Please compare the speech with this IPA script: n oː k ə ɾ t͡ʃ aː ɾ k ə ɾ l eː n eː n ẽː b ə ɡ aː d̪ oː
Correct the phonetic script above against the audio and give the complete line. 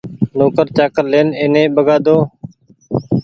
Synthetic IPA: n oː k ə ɾ t͡ʃ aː k ə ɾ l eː n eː n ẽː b ə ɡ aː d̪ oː